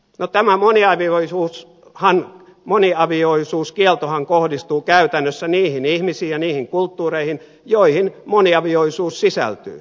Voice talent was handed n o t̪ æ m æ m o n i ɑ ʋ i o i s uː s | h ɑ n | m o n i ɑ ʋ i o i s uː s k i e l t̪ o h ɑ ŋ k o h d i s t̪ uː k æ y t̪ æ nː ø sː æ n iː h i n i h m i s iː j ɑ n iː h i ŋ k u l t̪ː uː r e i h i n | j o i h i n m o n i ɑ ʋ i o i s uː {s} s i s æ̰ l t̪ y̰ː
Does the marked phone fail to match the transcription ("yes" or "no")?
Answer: no